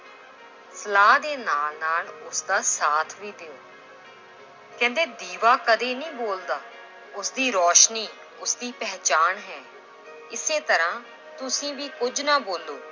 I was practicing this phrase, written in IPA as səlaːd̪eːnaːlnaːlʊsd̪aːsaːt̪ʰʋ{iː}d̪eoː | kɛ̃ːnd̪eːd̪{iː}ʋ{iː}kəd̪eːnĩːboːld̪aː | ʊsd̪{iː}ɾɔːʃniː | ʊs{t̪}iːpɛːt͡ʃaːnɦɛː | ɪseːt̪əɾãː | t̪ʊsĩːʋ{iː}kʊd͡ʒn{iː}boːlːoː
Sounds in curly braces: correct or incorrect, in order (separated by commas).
correct, correct, incorrect, correct, incorrect, correct, incorrect